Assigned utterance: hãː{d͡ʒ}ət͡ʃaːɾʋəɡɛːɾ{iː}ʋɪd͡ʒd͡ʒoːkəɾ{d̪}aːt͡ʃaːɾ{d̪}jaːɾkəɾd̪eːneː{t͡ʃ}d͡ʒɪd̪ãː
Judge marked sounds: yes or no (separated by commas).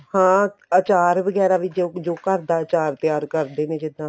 no, no, yes, no, no